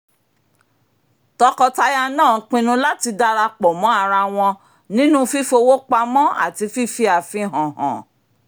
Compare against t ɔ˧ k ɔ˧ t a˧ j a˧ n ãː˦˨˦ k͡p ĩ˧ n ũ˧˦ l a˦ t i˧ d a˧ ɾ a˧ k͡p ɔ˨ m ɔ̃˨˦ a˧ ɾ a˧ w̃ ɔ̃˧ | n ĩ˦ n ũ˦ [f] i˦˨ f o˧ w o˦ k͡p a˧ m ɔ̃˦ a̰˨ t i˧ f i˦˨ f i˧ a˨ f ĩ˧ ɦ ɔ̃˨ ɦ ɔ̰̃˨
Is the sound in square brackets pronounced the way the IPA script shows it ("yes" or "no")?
yes